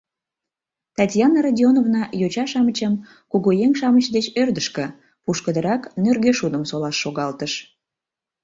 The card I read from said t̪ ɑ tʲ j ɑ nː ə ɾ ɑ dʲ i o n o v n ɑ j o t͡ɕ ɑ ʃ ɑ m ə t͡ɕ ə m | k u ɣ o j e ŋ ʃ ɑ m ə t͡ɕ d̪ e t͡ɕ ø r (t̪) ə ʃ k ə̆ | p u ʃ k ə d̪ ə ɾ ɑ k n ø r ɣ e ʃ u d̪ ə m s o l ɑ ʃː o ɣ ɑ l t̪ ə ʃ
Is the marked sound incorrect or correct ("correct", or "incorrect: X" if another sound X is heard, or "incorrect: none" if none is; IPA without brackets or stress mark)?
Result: incorrect: d̪